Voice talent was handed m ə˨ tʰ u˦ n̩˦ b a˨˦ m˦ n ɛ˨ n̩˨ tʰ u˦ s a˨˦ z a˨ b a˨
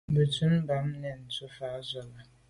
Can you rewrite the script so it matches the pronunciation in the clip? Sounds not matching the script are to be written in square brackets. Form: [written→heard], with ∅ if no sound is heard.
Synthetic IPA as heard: [m→b] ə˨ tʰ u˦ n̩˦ b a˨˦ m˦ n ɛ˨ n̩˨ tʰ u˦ [s→f] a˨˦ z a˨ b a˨